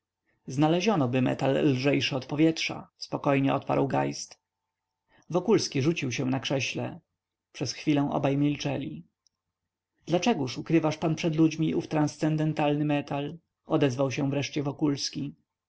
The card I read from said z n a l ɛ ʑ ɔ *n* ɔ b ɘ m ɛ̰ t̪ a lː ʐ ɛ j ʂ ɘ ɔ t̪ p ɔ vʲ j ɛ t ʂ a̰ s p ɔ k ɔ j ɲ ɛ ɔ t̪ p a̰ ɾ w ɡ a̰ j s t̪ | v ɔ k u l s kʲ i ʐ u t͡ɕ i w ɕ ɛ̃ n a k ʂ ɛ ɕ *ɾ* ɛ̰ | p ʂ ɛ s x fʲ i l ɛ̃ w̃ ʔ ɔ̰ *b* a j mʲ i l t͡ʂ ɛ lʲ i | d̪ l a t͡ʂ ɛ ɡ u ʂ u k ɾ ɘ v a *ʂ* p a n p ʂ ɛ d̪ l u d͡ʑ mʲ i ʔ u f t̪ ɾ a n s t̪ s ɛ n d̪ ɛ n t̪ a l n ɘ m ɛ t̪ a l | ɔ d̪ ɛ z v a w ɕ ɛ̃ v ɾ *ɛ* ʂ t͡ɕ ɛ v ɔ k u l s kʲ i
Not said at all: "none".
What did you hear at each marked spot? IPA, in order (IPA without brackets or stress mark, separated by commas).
n, l, b, ʂ, ɛ